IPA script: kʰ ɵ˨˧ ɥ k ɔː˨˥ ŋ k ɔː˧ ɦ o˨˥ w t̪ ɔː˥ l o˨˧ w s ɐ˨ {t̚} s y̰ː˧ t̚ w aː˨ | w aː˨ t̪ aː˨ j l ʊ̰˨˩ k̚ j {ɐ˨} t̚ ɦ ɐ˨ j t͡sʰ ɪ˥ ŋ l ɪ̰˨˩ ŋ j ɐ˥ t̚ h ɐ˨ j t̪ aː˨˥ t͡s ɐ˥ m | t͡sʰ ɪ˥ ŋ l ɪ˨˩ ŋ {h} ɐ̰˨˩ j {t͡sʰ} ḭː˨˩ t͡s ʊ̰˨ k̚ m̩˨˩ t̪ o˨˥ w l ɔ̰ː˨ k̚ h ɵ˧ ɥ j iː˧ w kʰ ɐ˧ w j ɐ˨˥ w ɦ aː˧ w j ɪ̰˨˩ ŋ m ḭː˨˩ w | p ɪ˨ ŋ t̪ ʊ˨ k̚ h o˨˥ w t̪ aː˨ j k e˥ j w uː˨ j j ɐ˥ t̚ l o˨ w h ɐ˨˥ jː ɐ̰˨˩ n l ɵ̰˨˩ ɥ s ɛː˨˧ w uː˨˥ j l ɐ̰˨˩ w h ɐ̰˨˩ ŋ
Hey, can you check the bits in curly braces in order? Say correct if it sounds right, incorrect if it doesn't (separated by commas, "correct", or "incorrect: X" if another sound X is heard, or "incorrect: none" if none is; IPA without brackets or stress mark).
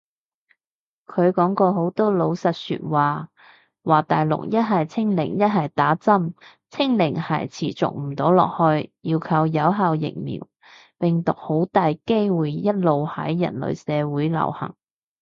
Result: correct, incorrect: ɐ˥, correct, correct